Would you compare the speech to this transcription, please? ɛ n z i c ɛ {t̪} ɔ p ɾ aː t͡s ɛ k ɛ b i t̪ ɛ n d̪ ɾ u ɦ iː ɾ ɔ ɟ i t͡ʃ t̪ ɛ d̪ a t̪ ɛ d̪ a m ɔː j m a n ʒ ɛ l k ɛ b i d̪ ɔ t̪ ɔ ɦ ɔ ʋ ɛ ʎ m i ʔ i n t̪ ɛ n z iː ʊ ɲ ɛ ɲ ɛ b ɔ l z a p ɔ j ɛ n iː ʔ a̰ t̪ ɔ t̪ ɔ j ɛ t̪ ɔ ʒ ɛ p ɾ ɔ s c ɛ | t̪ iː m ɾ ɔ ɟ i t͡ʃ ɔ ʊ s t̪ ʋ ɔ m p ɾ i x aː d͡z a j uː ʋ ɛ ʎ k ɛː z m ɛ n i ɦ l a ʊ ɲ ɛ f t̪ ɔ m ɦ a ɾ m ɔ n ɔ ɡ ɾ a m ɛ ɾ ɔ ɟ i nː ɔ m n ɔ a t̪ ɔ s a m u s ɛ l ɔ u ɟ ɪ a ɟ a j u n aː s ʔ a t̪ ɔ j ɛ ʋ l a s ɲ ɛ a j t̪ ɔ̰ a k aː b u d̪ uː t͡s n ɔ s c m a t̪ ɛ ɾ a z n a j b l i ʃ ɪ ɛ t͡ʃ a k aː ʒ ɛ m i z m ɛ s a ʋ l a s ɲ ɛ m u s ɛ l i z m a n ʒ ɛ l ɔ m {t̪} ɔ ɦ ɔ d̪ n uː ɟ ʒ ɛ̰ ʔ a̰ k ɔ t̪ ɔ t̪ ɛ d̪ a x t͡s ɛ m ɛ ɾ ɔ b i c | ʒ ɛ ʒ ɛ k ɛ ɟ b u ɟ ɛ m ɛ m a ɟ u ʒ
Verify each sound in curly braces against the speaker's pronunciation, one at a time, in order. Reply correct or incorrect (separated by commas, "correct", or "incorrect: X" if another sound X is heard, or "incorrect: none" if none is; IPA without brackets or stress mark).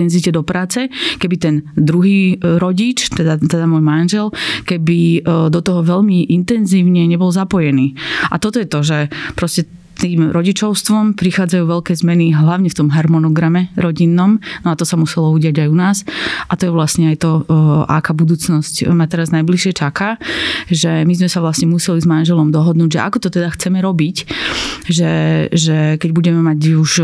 incorrect: d̪, incorrect: d̪